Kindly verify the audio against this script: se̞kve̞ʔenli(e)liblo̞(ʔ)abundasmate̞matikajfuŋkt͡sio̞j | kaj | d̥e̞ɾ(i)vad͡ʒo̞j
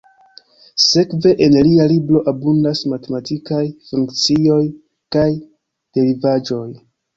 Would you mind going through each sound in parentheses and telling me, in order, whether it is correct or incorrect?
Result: incorrect: a, correct, correct

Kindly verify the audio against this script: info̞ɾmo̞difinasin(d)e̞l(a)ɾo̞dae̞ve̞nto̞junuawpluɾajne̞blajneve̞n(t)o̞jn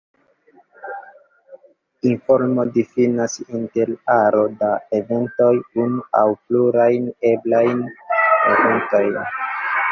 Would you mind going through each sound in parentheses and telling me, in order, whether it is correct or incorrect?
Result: incorrect: t, correct, correct

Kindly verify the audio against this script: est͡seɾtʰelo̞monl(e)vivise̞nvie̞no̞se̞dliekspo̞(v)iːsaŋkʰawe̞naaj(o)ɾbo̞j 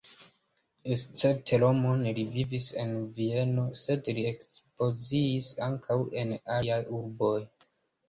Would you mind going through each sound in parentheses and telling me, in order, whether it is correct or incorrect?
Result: incorrect: i, incorrect: z, incorrect: u

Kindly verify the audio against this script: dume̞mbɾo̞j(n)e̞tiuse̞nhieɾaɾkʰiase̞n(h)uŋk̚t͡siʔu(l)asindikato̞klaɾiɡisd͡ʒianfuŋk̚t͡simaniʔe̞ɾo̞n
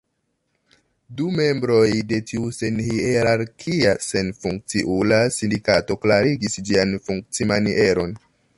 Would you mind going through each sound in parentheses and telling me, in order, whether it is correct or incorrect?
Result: incorrect: d, incorrect: f, correct

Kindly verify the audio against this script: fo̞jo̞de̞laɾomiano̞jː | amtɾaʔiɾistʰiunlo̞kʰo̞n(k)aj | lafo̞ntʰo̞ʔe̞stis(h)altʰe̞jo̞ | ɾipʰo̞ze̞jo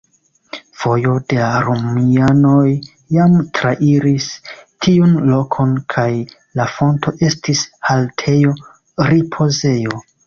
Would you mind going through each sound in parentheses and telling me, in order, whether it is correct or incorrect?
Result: incorrect: kʰ, correct

